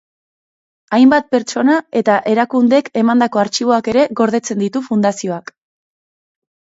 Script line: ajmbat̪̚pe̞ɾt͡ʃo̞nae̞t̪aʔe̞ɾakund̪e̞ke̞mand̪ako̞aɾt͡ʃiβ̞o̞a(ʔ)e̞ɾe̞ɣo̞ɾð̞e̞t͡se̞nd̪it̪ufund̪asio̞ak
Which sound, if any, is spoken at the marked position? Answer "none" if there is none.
k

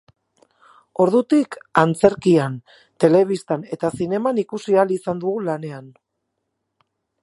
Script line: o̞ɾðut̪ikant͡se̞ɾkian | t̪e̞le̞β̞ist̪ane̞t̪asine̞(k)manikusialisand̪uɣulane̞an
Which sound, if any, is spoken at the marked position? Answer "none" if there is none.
none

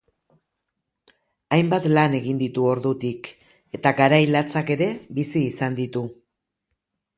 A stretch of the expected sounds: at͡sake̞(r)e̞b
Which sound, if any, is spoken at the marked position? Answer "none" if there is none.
ɾ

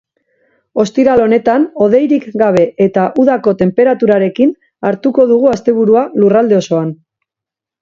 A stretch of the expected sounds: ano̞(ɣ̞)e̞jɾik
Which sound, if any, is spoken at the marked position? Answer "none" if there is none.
ð̞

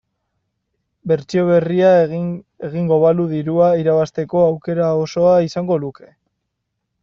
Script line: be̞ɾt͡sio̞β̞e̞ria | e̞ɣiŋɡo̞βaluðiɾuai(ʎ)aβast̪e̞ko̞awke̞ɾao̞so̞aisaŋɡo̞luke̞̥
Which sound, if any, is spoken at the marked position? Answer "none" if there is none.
ɾ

